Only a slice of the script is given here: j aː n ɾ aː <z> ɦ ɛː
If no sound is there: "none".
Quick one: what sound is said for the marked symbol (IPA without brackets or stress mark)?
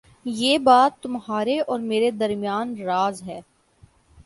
z